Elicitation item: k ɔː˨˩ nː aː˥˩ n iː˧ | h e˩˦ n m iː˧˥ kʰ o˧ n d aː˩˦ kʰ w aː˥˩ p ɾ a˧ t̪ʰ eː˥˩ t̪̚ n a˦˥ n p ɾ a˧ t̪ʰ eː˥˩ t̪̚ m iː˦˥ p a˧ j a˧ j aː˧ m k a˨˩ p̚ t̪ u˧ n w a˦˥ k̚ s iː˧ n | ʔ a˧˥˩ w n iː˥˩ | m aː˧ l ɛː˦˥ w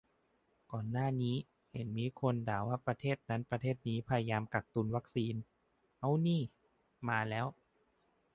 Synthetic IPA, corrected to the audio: k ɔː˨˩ nː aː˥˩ n iː˦˥ | h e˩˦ n m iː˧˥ kʰ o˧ n d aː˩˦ w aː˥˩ p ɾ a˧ t̪ʰ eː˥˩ t̪̚ n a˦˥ n p ɾ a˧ t̪ʰ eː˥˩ t̪̚ n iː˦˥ pʰ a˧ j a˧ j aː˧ m k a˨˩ k̚ t̪ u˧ n w a˦˥ k̚ s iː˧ n | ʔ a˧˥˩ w n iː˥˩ | m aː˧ l ɛː˦˥ w